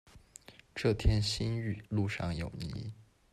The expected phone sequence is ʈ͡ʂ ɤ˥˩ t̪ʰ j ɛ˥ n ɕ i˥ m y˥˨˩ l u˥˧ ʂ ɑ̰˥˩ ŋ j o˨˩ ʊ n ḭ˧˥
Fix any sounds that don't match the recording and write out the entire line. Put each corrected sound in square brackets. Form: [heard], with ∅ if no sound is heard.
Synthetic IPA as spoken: ʈ͡ʂ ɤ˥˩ t̪ʰ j ɛ˥ n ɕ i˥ [n] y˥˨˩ l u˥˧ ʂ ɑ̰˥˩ ŋ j o˨˩ ʊ n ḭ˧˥